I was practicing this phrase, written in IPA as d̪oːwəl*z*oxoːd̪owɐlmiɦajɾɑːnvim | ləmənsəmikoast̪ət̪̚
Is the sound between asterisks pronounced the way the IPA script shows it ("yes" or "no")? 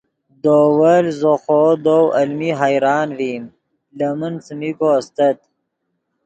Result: yes